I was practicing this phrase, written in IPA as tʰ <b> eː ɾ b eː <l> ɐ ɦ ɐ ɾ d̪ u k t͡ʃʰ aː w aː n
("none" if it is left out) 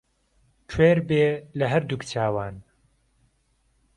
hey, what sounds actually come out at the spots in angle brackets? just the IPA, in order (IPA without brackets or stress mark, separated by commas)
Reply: w, l